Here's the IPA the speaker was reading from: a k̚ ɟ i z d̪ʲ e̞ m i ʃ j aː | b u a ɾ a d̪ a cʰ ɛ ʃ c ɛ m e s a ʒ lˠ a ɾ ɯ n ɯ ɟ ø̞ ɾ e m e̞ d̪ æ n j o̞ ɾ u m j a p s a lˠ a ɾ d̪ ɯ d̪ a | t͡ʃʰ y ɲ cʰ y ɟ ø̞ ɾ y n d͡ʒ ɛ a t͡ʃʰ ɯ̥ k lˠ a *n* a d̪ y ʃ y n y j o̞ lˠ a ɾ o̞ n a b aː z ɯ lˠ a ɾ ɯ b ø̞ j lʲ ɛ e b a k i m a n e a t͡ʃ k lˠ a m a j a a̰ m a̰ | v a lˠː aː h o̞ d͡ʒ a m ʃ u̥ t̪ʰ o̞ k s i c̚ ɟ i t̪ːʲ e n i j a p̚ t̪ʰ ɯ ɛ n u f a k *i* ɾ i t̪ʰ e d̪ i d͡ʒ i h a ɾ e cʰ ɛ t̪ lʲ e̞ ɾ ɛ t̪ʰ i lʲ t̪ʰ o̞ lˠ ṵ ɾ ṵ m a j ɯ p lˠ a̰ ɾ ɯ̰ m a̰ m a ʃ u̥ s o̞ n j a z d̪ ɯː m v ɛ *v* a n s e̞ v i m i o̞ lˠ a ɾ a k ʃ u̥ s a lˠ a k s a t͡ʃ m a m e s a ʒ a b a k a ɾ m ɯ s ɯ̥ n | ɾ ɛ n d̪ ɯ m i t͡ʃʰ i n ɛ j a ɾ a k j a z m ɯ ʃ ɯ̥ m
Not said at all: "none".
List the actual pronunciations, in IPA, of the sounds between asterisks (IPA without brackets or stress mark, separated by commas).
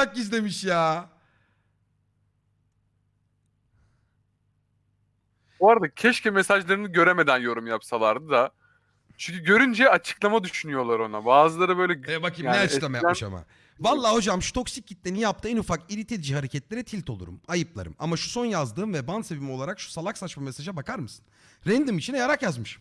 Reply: m, i, b